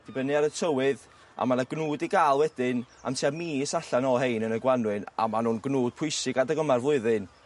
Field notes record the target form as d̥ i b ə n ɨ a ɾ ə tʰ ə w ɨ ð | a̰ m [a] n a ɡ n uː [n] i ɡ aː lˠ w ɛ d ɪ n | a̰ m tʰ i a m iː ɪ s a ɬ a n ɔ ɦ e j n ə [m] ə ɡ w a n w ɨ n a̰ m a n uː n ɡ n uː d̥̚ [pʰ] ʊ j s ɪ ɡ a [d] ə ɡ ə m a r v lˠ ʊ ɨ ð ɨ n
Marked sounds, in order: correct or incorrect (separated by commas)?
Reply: correct, incorrect, incorrect, correct, correct